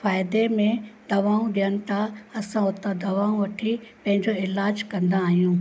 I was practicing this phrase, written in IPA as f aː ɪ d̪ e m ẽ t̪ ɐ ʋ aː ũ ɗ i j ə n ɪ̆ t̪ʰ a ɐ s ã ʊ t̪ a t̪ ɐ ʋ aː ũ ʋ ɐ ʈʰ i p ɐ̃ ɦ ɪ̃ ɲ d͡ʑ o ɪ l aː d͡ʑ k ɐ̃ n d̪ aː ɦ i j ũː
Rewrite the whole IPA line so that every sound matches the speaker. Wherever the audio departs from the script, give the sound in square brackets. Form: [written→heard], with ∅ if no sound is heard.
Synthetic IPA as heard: f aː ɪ d̪ e m ẽ [t̪→d̪] ɐ ʋ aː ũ ɗ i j ə n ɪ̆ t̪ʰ a ɐ s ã ʊ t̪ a [t̪→d̪] ɐ ʋ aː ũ ʋ ɐ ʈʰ i p ɐ̃ ɦ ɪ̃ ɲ d͡ʑ o ɪ l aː d͡ʑ k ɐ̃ n d̪ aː ɦ i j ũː